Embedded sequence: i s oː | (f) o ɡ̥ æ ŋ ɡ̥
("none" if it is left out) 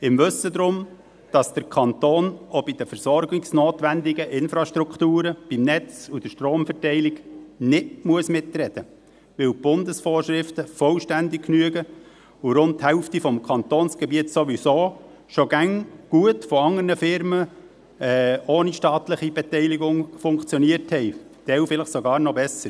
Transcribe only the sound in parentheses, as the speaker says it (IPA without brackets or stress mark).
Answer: ʃ